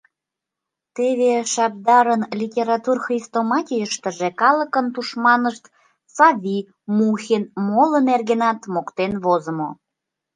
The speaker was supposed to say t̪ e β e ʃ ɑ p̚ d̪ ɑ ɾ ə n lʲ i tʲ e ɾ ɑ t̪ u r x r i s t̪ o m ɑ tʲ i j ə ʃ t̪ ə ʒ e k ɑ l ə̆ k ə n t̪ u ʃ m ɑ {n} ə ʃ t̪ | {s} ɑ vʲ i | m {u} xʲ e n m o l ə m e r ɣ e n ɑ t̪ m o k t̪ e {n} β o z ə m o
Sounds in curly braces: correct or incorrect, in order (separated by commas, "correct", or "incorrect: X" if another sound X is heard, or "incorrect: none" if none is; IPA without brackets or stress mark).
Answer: correct, correct, correct, correct